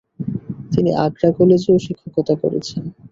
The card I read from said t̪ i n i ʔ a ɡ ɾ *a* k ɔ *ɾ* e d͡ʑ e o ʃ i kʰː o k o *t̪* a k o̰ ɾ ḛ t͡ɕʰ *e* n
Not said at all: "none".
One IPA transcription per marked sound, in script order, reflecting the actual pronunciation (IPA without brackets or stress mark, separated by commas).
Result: a, l, t̪, e